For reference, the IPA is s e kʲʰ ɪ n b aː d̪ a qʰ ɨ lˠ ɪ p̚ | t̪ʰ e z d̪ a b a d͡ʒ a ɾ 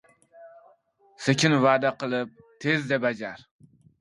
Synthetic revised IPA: s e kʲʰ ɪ n v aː d̪ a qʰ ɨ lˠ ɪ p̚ | t̪ʰ e z d̪ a b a d͡ʒ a ɾ